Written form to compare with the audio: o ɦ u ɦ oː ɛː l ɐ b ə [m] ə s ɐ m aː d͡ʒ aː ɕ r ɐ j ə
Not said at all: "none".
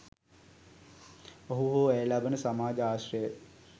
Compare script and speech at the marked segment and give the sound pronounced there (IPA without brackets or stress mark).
n